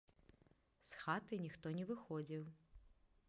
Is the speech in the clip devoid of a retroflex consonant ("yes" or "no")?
yes